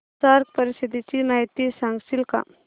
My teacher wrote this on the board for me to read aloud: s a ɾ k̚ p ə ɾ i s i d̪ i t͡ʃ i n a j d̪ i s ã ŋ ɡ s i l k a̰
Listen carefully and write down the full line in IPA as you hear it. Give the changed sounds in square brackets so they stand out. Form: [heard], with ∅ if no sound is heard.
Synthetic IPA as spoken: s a ɾ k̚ p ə ɾ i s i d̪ i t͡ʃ i n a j [t̪] i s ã ŋ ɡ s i l k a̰